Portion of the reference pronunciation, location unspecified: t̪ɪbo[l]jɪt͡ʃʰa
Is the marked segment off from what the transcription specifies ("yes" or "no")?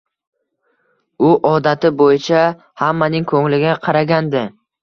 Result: yes